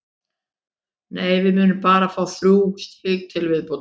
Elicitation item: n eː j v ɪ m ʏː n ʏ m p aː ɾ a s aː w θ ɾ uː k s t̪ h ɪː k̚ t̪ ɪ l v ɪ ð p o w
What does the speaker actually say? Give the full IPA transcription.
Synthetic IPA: n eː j v ɪ m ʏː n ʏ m p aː ɾ a f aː w θ ɾ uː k s t̪ h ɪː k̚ t̪ʰ ɪ l v ɪ ð p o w

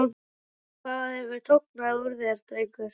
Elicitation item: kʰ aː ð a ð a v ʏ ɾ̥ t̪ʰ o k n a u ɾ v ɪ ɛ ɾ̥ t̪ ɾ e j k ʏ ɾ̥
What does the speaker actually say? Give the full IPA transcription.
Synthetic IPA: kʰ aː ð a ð ɛ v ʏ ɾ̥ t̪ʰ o k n a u ɾ ð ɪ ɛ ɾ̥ t̪ ɾ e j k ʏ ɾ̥

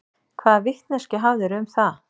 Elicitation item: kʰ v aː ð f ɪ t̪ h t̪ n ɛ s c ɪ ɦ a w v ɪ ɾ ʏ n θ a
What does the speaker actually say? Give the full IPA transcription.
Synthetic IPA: kʰ v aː ð v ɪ h t̪ n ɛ s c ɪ ɦ a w ð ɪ ɾ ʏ m θ a

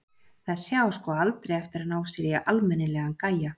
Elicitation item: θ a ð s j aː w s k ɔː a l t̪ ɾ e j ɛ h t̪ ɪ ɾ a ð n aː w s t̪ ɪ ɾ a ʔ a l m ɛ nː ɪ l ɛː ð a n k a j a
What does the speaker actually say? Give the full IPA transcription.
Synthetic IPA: θ a ð s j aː w s k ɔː a l t̪ ɾ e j ɛ f t̪ ɪ ɾ a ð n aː w s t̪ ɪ ɾ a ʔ a l m ɛ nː ɪ l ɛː ɣ a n k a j a

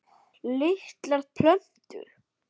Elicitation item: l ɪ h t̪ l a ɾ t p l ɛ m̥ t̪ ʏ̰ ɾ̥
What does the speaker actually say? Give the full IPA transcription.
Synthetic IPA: l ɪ h t̪ l a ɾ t pʰ l œ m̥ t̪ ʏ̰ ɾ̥

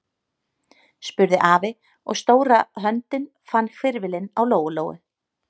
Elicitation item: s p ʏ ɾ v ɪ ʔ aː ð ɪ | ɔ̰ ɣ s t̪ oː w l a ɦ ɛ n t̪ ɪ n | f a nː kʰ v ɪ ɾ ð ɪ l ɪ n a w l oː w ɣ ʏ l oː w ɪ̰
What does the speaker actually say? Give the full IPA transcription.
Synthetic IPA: s p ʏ ɾ ð ɪ ʔ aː v ɪ | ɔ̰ ɣ s t̪ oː w ɾ a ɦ œ n t̪ ɪ n | f a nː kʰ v ɪ ɾ v ɪ l ɪ n a w l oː w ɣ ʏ l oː w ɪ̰

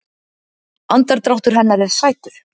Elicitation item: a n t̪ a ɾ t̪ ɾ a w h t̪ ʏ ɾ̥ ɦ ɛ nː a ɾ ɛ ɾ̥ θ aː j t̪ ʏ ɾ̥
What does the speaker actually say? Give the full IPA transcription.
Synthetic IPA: a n t̪ a ɾ t̪ ɾ a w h t̪ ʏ ɾ̥ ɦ ɛ nː a ɾ ɛ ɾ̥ s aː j t̪ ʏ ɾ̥

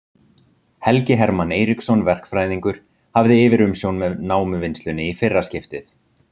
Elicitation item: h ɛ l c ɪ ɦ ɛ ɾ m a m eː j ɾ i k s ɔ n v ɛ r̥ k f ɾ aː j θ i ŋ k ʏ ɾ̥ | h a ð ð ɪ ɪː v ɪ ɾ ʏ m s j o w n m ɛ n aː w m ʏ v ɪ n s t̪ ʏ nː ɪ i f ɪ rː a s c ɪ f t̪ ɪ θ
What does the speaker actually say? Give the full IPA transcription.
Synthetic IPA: h ɛ l c ɪ ɦ ɛ ɾ m a n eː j ɾ i k s ɔ n v ɛ r̥ k f ɾ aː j ð i ŋ k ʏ ɾ̥ | h a v ð ɪ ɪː v ɪ ɾ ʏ m s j o w n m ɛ n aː w m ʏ v ɪ n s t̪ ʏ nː ɪ i f ɪ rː a s c ɪ f t̪ ɪ θ

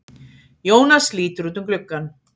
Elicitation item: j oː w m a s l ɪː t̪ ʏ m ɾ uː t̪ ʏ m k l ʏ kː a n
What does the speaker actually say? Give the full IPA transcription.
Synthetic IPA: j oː w n a s l iː t̪ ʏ ɾ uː t̪ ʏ m k l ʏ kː a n

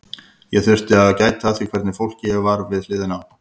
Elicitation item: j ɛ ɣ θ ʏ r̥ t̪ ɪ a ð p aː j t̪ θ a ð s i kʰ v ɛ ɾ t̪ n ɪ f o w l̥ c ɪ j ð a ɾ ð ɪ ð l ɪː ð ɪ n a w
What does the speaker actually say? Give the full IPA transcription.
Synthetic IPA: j ɛ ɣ θ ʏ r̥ t̪ ɪ a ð c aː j t̪ θ a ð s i kʰ v ɛ ɾ t̪ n ɪ f o w l̥ c ɪ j v a ɾ v ɪ ð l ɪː ð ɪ n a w

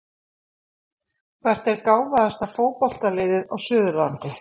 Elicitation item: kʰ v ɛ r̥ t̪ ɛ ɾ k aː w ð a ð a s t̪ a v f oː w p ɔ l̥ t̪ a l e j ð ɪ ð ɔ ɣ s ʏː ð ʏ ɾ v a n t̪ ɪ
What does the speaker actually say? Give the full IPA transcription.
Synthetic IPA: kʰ v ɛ r̥ t̪ ɛ ɾ k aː w v a ð a s t̪ a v f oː w p ɔ l̥ t̪ a l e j ð ɪ ð ɔ ɣ s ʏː ð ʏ ɾ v a n t̪ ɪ

